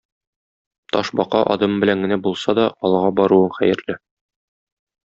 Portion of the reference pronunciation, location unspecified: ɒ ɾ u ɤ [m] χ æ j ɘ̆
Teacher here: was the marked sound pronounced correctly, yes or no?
no